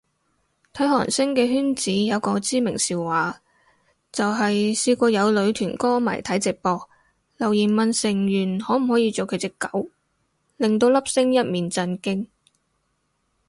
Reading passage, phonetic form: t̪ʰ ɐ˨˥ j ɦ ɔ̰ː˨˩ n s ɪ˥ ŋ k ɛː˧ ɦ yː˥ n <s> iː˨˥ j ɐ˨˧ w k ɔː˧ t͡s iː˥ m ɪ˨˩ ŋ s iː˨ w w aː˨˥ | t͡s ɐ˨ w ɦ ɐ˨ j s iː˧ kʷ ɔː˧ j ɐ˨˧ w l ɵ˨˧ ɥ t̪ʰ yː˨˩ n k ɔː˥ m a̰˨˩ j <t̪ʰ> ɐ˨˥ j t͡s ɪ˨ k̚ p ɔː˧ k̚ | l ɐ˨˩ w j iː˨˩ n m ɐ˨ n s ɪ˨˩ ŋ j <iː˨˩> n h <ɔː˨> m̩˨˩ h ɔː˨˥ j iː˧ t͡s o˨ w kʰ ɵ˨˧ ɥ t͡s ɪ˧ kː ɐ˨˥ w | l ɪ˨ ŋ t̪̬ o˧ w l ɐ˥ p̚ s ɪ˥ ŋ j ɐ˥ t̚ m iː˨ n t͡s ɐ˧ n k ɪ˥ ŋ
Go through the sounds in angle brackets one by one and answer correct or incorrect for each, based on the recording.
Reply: incorrect, correct, incorrect, incorrect

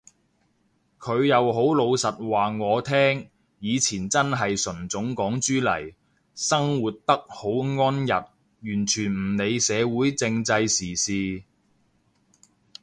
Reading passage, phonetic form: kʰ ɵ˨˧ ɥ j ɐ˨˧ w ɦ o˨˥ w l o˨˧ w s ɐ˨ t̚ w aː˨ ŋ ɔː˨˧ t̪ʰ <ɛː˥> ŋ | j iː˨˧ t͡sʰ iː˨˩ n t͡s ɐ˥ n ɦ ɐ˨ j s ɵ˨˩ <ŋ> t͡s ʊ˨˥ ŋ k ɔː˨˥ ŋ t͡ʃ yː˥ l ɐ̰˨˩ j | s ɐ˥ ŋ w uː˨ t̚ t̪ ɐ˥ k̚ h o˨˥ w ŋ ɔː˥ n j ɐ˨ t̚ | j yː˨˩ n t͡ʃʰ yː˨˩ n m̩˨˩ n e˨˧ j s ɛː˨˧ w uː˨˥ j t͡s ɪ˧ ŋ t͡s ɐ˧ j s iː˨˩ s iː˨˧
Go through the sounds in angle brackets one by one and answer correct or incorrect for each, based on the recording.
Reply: correct, incorrect

